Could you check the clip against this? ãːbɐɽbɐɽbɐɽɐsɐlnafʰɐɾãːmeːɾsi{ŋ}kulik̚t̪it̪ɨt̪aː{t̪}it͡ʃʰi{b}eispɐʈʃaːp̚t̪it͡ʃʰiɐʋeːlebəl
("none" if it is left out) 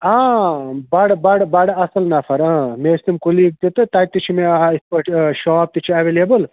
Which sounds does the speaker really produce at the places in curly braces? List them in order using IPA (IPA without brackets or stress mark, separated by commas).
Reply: m, t̪, m